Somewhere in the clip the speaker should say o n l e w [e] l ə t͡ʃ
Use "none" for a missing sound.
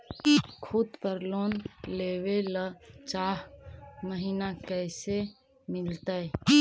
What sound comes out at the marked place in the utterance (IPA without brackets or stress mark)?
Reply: e